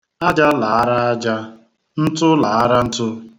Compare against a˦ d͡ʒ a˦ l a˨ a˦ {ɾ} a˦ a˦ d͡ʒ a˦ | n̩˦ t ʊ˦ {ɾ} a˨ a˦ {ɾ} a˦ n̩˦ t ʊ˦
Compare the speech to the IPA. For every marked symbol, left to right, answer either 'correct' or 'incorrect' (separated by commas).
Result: correct, incorrect, correct